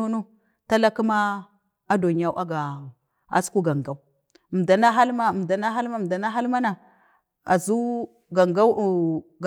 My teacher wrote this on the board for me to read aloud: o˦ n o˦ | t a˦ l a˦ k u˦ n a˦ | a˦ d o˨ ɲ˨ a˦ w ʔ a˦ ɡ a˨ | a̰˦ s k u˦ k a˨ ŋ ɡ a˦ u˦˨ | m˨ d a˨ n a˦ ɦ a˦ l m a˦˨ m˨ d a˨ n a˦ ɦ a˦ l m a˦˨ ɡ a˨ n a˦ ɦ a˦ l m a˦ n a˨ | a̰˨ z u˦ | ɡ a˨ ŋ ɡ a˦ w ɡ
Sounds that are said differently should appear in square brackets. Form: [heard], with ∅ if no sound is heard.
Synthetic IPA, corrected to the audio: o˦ n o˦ | t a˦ l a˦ k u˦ [m] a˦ | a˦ d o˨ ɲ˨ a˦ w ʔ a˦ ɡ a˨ | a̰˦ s k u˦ [ɡ] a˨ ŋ ɡ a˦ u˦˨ | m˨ d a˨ n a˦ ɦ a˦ l m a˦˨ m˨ d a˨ n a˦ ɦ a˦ l m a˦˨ [d] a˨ n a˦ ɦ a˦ l m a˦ n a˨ | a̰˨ z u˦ | ɡ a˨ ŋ ɡ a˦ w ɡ

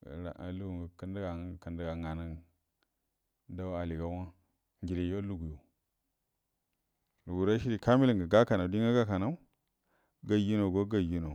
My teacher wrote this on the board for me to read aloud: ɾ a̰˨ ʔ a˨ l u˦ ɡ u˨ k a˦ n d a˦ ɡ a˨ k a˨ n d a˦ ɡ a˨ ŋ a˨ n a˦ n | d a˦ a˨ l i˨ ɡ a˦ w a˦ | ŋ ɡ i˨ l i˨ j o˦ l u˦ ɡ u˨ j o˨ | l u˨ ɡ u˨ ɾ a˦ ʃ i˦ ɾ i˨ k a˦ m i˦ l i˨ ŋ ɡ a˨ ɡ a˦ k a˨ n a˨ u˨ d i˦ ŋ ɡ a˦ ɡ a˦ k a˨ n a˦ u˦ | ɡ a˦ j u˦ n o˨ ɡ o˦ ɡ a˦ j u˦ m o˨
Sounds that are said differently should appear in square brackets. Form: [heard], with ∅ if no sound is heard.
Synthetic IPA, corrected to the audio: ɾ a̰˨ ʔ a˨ l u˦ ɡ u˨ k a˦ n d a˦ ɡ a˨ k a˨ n d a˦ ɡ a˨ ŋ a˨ n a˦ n | d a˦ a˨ l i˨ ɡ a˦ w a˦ | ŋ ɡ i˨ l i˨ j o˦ l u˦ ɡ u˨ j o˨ | l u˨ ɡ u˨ ɾ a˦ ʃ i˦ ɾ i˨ k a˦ m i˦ l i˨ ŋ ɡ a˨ ɡ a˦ k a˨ n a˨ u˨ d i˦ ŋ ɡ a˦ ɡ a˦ k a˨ n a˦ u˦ | ɡ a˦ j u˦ n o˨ ɡ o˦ ɡ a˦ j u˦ [n] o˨

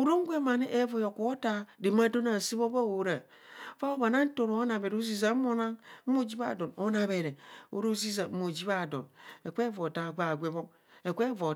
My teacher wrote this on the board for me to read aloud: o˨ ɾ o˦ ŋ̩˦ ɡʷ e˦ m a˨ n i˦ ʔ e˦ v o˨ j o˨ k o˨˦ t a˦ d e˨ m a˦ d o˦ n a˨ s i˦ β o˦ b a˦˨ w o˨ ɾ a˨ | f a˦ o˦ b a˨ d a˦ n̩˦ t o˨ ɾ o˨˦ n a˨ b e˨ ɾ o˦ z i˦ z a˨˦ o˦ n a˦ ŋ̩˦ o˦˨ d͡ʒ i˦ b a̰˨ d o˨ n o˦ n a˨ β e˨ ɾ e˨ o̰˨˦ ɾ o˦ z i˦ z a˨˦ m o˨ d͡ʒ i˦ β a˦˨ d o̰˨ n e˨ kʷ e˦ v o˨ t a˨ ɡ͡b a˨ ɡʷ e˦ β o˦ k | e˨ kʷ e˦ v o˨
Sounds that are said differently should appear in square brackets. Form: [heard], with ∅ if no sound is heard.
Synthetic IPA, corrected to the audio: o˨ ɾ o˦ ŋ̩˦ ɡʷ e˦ m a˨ n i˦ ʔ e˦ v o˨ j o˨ k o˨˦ t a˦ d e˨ m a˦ d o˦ n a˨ s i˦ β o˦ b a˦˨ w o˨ ɾ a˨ | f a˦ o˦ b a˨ [n] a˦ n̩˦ t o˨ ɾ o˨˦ n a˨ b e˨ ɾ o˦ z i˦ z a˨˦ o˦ n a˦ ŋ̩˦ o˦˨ d͡ʒ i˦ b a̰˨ d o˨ n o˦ n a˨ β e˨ ɾ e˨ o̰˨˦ ɾ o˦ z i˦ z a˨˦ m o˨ d͡ʒ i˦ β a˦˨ d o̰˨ n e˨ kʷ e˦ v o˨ t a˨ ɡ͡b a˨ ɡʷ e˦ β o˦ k | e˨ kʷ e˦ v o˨

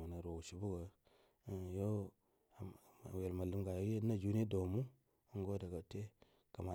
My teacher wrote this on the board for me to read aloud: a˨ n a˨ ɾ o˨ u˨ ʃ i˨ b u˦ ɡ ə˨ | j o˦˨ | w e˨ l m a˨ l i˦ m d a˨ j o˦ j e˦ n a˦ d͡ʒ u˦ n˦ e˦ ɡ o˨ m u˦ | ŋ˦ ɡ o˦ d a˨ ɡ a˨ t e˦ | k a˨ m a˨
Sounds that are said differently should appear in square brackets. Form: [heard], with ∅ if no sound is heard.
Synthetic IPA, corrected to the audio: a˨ n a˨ ɾ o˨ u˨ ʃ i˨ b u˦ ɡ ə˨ | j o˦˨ | w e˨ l m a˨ l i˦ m [ɡ] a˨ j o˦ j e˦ n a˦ d͡ʒ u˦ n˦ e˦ [d] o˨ m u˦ | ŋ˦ ɡ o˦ d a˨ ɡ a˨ t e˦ | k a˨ m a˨

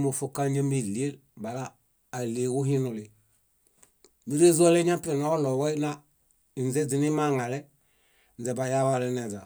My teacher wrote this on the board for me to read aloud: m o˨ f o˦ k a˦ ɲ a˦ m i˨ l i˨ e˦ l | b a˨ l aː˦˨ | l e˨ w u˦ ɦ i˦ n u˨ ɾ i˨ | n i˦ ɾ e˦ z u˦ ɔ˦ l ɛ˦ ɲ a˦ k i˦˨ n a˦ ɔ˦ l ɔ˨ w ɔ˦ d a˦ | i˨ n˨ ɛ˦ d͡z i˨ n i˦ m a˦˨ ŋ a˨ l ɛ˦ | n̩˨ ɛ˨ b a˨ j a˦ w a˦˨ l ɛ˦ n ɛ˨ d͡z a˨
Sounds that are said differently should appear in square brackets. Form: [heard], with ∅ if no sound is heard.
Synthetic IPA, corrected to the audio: m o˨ f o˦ k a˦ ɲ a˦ m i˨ l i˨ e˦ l | b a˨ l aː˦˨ | l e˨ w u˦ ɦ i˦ n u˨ [l] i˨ | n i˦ ɾ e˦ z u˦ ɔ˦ l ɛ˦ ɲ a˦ [p] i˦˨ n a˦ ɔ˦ l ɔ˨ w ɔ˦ [n] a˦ | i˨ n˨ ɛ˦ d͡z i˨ n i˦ m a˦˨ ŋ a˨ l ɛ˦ | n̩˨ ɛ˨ b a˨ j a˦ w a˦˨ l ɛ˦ n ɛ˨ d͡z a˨

